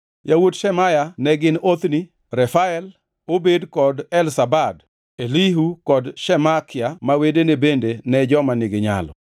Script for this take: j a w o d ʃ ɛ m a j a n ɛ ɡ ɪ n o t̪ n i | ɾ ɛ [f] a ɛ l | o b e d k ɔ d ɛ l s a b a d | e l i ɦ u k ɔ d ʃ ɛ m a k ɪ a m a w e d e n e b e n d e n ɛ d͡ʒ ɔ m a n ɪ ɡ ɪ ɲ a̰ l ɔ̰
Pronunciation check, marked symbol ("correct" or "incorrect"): correct